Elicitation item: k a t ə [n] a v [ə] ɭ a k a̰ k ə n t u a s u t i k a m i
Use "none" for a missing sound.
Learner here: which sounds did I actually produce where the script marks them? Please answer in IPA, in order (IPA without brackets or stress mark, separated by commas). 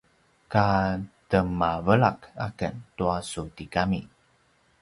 m, ə